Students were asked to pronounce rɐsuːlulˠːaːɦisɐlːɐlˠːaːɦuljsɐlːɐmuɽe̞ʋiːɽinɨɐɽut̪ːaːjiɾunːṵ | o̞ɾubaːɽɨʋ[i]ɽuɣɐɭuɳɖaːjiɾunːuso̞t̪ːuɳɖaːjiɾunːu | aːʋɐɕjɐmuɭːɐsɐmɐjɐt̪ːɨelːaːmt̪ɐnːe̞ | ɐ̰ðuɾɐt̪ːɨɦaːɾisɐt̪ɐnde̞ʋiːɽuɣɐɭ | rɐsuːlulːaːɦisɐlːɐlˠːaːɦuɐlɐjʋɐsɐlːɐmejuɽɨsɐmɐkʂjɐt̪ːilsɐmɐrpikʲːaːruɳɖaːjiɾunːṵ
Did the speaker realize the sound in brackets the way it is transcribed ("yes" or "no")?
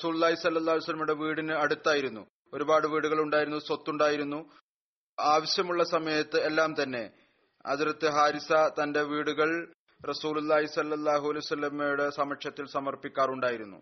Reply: no